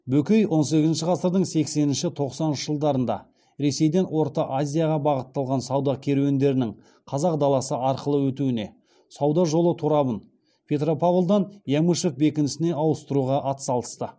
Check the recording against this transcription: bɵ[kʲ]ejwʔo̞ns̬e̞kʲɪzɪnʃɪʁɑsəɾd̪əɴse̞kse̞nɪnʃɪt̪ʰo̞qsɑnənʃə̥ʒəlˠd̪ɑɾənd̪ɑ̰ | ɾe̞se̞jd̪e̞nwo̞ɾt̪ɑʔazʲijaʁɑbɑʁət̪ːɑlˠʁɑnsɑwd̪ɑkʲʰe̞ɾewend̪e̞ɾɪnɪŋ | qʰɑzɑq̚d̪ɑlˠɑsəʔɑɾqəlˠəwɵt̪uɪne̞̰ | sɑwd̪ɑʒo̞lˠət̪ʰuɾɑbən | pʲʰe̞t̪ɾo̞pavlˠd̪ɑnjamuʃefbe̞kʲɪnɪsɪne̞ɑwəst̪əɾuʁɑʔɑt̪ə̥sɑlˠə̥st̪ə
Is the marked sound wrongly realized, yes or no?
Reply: no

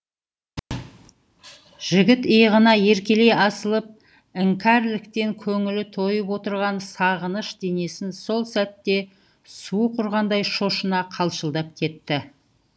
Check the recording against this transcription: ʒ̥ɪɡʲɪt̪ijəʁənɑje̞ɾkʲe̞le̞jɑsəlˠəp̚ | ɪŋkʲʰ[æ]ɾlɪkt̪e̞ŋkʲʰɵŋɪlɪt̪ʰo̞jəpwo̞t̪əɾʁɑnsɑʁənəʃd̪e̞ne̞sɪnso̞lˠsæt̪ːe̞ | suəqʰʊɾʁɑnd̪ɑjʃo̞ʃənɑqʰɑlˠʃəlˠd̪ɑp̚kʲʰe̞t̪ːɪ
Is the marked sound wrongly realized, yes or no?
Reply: no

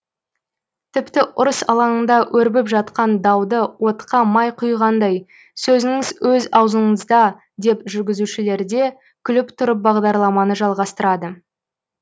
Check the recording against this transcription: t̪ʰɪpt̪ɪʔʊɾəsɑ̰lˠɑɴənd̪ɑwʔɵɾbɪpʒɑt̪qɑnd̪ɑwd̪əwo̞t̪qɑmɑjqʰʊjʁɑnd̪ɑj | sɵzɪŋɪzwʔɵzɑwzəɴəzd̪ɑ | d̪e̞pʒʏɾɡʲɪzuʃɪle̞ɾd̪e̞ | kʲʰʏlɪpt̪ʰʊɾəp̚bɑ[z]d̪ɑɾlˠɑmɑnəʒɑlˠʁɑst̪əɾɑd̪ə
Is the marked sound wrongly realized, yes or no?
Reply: yes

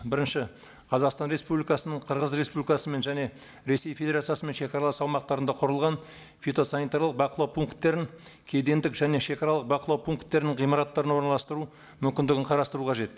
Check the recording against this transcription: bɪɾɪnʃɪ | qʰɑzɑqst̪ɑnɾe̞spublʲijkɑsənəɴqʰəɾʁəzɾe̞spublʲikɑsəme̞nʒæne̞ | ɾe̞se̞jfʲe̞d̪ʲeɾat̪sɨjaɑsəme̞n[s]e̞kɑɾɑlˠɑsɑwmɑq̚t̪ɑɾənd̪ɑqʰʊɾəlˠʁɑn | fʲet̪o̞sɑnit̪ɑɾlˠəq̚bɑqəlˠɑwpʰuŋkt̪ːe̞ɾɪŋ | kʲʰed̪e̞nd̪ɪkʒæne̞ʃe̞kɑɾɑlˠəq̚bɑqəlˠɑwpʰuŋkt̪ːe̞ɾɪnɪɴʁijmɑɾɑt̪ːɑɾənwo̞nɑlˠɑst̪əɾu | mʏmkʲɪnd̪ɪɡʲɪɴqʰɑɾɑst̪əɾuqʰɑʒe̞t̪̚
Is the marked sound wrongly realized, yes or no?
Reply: yes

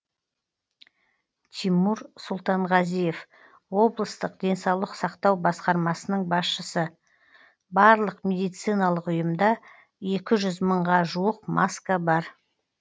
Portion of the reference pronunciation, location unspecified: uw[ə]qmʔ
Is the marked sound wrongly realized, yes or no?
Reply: no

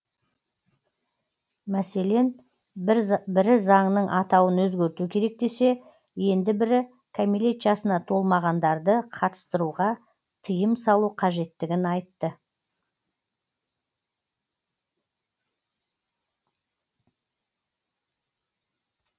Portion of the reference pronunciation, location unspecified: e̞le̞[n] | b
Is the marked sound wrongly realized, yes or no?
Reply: no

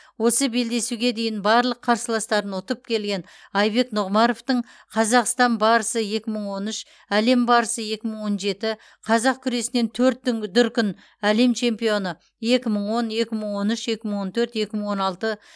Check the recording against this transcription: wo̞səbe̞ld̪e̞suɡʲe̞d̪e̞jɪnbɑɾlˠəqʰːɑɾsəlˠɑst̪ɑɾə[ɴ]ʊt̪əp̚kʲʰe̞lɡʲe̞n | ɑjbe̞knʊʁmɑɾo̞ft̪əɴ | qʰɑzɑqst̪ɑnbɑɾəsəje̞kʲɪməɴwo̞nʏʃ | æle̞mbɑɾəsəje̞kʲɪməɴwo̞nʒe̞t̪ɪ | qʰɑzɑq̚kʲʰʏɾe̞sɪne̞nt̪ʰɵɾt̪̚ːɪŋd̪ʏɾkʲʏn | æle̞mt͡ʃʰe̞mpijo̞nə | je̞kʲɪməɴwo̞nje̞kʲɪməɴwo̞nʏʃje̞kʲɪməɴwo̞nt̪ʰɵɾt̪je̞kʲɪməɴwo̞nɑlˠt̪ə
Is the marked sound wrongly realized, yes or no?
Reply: yes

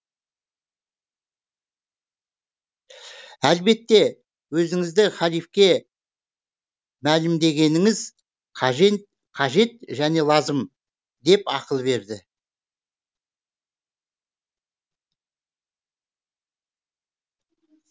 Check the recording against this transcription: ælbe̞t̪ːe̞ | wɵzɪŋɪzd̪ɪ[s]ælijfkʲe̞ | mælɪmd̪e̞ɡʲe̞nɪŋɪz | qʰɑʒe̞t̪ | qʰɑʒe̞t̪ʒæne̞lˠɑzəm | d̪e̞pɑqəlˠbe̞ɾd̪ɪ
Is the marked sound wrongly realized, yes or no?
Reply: yes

